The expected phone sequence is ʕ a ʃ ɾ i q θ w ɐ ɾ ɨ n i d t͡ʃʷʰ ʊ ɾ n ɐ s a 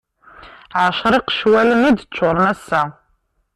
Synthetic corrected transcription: ʕ a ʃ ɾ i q ʃ w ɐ l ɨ n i d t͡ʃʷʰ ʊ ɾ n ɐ s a